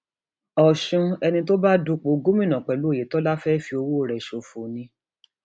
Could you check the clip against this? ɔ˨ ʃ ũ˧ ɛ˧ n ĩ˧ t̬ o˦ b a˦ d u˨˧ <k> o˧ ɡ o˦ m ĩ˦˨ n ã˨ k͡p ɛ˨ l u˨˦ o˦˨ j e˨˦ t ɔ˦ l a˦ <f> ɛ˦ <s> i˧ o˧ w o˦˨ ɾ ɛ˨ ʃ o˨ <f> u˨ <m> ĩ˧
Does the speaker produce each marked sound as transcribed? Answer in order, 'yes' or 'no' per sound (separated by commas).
no, yes, no, yes, no